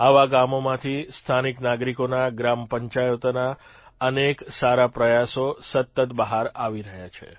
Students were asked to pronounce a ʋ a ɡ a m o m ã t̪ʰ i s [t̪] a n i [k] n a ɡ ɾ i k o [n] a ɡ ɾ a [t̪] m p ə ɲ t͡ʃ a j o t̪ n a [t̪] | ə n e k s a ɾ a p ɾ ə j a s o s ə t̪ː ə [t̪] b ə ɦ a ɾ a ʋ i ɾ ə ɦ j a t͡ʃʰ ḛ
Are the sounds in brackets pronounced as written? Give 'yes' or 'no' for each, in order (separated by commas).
no, yes, yes, no, no, yes